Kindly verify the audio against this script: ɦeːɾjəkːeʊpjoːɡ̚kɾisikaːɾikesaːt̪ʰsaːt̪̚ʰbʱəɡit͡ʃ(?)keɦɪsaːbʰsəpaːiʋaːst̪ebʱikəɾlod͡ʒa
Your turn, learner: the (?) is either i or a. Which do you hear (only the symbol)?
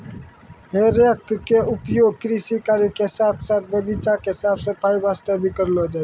a